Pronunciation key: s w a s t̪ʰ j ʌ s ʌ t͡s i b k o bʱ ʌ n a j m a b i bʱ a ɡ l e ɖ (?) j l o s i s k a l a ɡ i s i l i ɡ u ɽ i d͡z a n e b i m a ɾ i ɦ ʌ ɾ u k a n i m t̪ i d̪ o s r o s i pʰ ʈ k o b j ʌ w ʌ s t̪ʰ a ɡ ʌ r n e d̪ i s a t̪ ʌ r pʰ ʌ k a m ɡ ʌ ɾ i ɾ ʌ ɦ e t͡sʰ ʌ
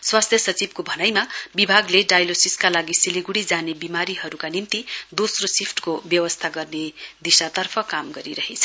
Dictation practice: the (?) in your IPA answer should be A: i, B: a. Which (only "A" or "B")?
B